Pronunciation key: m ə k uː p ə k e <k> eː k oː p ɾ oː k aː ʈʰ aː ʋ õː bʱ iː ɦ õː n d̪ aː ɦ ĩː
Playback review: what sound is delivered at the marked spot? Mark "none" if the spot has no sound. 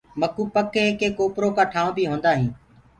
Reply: k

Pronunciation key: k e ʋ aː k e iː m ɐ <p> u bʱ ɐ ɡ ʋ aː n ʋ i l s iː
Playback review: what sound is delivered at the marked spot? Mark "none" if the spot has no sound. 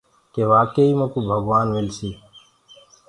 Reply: k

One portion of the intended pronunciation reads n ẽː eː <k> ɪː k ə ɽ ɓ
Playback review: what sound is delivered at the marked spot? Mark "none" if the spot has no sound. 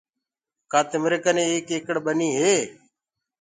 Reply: k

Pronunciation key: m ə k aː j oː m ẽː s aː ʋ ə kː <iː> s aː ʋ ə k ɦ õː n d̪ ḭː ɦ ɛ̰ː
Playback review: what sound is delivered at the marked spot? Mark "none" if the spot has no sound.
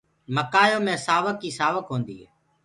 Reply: iː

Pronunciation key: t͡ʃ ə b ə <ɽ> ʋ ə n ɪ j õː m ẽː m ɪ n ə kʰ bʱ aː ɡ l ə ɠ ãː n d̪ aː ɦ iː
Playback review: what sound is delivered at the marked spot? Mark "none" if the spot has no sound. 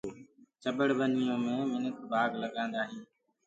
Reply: ɽ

